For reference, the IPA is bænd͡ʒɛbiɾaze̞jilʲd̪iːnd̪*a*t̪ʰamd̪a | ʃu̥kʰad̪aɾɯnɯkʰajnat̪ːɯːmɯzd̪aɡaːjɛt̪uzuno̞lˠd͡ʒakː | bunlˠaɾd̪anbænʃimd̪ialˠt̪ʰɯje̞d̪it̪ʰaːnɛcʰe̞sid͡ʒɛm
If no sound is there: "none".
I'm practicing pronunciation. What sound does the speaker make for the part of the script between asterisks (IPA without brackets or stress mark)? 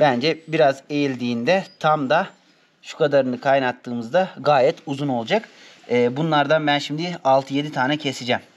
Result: ɛ